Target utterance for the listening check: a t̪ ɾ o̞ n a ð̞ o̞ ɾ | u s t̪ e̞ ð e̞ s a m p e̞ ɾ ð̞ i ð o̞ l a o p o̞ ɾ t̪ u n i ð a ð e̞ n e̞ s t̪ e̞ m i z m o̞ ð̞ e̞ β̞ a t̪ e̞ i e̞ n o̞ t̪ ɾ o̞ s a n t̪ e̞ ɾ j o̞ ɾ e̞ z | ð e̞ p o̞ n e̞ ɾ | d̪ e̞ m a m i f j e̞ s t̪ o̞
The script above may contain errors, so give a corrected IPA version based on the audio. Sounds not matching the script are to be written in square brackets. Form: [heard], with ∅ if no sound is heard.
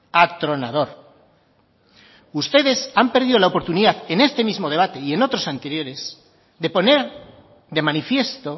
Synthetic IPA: a t̪ ɾ o̞ n a ð̞ o̞ ɾ | u s t̪ e̞ ð e̞ s a m p e̞ ɾ ð̞ i ð o̞ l a o p o̞ ɾ t̪ u n i ð a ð e̞ n e̞ s t̪ e̞ m i z m o̞ ð̞ e̞ β̞ a t̪ e̞ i e̞ n o̞ t̪ ɾ o̞ s a n t̪ e̞ ɾ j o̞ ɾ e̞ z | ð e̞ p o̞ n e̞ ɾ | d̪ e̞ m a [n] i f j e̞ s t̪ o̞